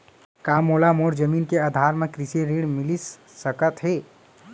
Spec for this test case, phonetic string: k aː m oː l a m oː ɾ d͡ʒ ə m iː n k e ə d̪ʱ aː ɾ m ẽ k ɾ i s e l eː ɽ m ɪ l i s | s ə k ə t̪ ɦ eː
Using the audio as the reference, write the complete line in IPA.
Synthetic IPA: k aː m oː l a m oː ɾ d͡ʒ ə m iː n k e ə d̪ʱ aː ɾ m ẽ k ɾ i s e ɾ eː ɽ m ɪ l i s | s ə k ə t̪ ɦ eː